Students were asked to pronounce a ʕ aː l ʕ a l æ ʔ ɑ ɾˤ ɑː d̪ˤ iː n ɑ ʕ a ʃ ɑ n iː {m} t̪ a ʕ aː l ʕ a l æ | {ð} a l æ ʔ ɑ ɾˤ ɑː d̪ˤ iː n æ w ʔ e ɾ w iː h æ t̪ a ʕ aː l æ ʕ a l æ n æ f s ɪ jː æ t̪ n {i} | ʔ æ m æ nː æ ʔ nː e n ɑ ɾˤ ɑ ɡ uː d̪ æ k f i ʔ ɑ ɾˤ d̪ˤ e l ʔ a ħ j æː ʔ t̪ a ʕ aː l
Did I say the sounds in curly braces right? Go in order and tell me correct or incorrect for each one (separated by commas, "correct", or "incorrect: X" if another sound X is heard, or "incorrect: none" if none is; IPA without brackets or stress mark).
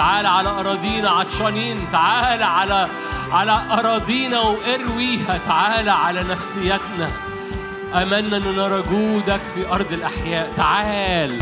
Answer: incorrect: n, incorrect: ʕ, incorrect: æ